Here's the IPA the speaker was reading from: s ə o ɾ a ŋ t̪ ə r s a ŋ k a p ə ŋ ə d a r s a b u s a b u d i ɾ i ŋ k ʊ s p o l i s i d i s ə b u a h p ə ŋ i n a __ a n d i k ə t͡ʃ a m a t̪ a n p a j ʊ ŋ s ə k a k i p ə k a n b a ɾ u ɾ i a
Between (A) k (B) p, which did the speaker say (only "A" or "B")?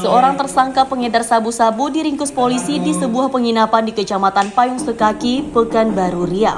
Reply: B